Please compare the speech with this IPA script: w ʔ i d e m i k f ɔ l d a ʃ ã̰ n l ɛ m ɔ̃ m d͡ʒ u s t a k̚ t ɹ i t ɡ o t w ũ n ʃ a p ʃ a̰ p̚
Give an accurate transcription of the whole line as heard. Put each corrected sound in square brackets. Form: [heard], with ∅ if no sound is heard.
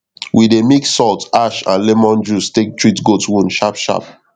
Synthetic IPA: w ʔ i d e m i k [s] ɔ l [t] a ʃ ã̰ n l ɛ m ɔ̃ [n] d͡ʒ u s t [e] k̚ t ɹ i t ɡ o t w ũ n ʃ a p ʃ a̰ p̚